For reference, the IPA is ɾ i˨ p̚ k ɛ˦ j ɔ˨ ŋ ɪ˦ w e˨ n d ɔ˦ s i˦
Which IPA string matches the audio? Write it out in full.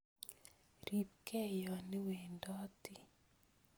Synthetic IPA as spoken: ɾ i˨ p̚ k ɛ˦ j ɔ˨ n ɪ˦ w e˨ n d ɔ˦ t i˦